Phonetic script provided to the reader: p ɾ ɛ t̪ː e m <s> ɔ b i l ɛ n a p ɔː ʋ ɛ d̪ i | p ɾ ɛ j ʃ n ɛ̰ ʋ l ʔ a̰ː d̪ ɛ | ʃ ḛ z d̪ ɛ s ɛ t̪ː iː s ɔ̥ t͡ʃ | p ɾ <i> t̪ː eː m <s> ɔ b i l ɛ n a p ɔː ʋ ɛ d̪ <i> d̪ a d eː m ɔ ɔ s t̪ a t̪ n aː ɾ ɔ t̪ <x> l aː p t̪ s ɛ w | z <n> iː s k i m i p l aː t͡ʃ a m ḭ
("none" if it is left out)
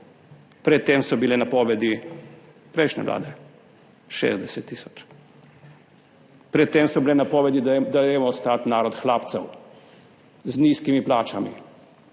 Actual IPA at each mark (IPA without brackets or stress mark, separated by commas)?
s, ɛ, s, i, x, n